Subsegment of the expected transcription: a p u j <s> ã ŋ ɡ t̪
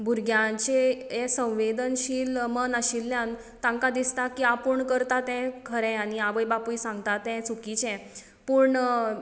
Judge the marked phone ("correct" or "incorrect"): correct